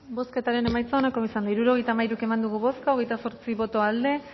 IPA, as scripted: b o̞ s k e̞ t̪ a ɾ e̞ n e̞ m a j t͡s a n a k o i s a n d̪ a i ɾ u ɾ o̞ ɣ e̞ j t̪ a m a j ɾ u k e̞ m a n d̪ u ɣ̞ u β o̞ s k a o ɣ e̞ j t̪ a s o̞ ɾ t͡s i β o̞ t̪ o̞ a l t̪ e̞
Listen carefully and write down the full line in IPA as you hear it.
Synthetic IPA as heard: b o̞ s k e̞ t̪ a ɾ e̞ n e̞ m a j t͡s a n a k o i s a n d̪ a i ɾ u ɾ o̞ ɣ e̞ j t̪ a m a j ɾ u k e̞ m a n d̪ u ɣ̞ u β o̞ s k a o ɣ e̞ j t̪ a s o̞ ɾ t͡s i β o̞ t̪ o̞ a l d̪ e̞

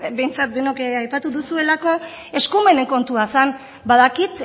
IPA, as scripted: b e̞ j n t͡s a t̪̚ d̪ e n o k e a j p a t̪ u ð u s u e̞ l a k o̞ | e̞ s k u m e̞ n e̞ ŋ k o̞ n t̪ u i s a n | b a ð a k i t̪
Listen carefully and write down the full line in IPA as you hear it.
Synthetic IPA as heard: b e̞ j n t͡s a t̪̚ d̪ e n o k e a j p a t̪ u ð u s u e̞ l a k o̞ | e̞ s k u m e̞ n e̞ ŋ k o̞ n t̪ u a s a n | b a ð a k i t̪

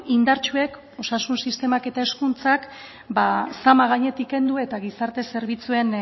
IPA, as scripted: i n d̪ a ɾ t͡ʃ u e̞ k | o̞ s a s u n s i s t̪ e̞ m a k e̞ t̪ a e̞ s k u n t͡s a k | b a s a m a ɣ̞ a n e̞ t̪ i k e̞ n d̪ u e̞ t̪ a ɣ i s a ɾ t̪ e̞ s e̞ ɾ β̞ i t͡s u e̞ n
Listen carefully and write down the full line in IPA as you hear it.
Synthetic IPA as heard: i n d̪ a ɾ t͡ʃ u e̞ k | o̞ s a s u n s i s t̪ e̞ m a k e̞ t̪ a e̞ s k u n t͡s a k | b a s a m a ɣ̞ a ɲ e̞ t̪ i k e̞ n d̪ u e̞ t̪ a ɣ i s a ɾ t̪ e̞ s e̞ ɾ β̞ i t͡s u e̞ n

